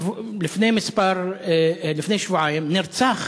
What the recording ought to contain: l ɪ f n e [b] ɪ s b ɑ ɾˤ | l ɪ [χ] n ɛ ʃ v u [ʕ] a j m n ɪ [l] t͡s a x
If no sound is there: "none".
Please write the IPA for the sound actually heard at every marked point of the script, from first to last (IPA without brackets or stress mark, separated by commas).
m, f, ʕ, ɾ